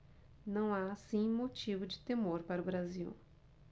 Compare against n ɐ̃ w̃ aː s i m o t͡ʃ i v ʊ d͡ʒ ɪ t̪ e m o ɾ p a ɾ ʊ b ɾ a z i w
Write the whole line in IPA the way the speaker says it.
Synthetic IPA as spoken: n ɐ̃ w̃ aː s ĩ m o t͡ʃ i v ʊ d͡ʒ ɪ t̪ e m o ɾ p a ɾ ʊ b ɾ a z i w